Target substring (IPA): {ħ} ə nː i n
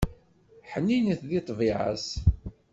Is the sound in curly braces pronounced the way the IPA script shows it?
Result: yes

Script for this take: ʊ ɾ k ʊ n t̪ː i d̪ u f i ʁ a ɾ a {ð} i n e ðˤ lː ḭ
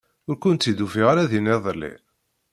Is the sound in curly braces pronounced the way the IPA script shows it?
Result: yes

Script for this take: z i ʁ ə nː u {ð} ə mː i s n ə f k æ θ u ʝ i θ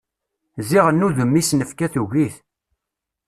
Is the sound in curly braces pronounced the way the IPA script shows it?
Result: yes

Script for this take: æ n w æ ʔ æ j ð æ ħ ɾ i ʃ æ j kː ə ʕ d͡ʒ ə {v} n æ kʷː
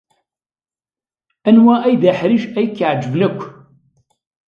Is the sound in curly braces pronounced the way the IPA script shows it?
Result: yes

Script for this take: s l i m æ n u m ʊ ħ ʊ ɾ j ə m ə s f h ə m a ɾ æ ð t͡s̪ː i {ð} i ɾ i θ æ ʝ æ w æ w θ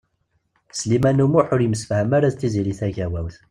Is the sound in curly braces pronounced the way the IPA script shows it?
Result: no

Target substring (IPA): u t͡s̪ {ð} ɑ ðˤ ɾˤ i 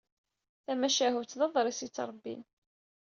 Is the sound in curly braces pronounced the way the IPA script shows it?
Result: yes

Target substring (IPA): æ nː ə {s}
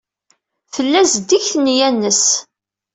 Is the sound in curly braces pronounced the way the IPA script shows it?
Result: yes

